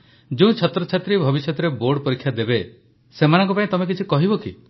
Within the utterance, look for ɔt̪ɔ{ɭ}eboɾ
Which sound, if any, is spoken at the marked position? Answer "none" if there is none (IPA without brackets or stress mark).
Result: ɾ